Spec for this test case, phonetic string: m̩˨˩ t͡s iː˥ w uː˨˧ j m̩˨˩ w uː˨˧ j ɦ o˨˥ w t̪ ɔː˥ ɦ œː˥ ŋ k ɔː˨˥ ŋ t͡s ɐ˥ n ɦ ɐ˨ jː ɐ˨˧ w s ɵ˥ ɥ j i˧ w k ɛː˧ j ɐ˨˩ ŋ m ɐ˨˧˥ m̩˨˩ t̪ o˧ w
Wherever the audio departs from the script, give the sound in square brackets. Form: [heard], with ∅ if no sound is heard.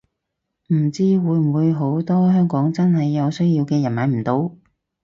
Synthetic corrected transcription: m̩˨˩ t͡s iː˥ w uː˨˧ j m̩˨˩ w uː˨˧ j ɦ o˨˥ w t̪ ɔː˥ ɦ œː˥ ŋ k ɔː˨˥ ŋ t͡s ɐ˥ n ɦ ɐ˨ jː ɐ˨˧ w s ɵ˥ ɥ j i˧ w k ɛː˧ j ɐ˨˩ [n] m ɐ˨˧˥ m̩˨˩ t̪ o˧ w